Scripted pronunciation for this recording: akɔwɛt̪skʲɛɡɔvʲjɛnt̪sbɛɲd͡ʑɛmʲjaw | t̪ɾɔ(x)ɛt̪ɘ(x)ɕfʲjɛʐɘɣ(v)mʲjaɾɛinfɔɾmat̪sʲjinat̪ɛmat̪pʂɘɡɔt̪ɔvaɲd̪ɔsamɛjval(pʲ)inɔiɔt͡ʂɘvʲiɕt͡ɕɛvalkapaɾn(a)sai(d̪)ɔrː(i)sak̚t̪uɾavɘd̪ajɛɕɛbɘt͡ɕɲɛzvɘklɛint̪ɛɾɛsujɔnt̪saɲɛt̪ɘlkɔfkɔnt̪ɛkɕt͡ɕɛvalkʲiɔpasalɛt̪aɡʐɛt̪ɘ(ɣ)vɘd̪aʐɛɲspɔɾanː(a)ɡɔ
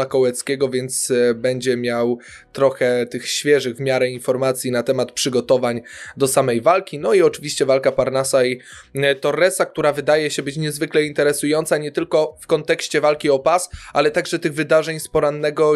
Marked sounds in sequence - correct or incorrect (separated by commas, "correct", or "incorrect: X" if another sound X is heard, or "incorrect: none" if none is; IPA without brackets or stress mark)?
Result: correct, correct, correct, incorrect: kʲ, correct, incorrect: t̪, incorrect: ɛ, correct, incorrect: ɛ